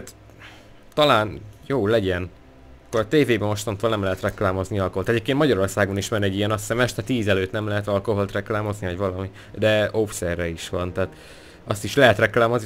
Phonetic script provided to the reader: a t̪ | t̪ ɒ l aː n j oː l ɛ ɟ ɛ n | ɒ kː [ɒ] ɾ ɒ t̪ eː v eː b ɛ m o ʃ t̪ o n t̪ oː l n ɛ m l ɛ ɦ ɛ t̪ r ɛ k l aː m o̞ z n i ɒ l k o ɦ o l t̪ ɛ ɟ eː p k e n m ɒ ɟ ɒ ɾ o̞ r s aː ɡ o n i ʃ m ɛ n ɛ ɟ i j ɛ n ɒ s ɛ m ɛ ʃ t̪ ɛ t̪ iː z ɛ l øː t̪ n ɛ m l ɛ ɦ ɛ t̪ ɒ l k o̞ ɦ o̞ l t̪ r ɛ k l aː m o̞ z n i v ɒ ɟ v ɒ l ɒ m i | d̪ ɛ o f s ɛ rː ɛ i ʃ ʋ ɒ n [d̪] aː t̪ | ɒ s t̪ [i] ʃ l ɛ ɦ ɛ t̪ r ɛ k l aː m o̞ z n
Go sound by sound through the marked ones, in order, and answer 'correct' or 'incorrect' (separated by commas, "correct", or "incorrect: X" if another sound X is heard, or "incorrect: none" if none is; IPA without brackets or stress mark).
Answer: incorrect: o, incorrect: t̪, correct